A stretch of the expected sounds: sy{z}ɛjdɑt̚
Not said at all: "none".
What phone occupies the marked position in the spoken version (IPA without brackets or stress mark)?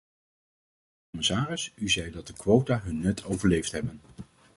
z